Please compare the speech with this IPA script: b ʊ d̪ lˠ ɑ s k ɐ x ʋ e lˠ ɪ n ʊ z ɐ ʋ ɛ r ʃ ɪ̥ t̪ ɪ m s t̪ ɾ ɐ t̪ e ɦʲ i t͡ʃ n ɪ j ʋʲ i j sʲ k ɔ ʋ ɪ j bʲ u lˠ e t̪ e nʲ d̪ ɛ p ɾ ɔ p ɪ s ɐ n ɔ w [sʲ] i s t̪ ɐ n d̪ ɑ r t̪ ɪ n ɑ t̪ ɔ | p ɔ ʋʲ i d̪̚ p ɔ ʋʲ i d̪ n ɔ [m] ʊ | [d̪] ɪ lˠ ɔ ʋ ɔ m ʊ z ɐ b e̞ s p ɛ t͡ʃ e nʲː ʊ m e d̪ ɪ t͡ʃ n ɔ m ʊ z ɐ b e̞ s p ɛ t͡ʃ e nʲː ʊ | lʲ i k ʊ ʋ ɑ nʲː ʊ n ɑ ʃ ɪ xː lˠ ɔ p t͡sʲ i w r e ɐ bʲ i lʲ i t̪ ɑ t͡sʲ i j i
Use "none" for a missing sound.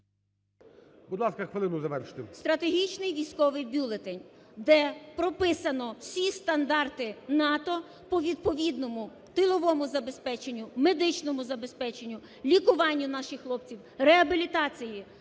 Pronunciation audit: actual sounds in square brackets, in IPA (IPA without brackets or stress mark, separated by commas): sʲ, m, t̪